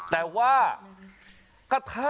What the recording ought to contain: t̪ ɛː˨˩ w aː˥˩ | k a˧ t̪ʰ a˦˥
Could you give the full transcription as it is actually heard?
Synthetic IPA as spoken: t̪ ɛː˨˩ w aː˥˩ | k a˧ t̪ʰ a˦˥